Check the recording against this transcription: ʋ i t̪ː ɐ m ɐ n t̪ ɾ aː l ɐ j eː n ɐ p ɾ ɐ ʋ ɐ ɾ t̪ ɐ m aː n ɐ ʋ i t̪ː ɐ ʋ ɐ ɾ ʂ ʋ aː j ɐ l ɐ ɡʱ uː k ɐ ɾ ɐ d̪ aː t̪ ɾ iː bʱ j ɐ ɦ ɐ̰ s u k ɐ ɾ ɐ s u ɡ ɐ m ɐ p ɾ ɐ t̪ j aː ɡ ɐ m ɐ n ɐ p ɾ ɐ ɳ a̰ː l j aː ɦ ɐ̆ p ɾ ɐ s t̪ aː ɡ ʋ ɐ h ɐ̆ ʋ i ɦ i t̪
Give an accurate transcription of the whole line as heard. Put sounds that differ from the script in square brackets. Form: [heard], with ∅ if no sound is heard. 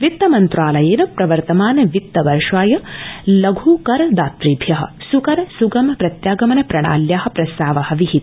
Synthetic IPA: ʋ i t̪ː ɐ m ɐ n t̪ ɾ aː l ɐ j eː n ɐ p ɾ ɐ ʋ ɐ ɾ t̪ ɐ m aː n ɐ ʋ i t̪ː ɐ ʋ ɐ ɾ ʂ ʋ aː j ɐ l ɐ ɡʱ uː k ɐ ɾ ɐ d̪ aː t̪ ɾ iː bʱ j ɐ ɦ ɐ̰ s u k ɐ ɾ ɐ s u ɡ ɐ m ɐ p ɾ ɐ t̪ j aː ɡ ɐ m ɐ n ɐ p ɾ ɐ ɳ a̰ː l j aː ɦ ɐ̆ p ɾ ɐ s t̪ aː [∅] ʋ ɐ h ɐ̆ ʋ i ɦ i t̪